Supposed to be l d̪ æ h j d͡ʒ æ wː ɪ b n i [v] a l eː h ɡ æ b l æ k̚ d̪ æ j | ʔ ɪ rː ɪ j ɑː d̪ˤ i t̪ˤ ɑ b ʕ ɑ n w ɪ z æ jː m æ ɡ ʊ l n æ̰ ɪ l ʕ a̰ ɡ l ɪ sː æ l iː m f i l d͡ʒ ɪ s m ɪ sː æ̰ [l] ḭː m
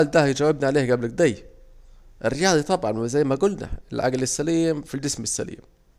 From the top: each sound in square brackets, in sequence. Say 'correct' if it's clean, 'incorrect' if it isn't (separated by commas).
incorrect, correct